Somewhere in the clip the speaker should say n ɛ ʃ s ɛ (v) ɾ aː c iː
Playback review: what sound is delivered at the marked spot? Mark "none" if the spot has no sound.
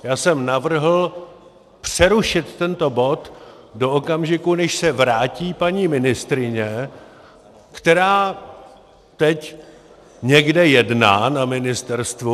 v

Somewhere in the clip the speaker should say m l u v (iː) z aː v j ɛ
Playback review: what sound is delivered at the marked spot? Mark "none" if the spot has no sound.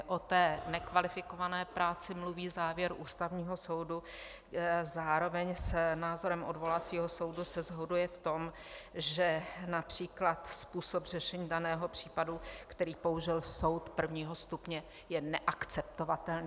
iː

